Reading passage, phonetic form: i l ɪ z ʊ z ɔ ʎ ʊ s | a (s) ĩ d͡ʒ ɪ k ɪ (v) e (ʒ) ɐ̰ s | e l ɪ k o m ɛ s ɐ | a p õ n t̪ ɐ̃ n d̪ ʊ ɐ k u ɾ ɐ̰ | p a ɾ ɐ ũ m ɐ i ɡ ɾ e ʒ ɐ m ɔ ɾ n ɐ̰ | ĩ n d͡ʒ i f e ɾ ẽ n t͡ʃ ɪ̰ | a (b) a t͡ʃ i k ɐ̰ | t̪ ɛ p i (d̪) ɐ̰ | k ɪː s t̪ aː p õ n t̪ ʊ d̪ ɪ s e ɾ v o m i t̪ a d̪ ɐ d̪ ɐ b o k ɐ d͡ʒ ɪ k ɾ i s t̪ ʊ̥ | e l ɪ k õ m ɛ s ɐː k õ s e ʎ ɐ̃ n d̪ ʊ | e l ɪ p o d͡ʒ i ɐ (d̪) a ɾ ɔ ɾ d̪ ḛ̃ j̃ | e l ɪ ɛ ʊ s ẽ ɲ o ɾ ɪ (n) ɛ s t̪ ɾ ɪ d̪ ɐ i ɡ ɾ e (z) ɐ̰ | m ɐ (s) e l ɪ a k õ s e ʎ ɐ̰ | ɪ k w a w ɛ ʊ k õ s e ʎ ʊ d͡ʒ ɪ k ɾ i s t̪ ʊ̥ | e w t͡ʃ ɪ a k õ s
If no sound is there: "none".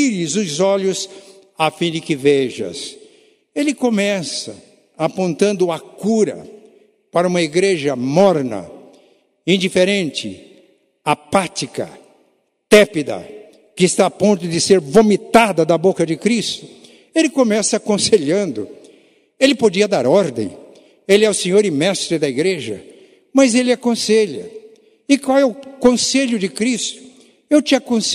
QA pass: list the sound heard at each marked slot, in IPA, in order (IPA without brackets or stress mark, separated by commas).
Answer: f, v, ʒ, p, d̪, d̪, m, ʒ, z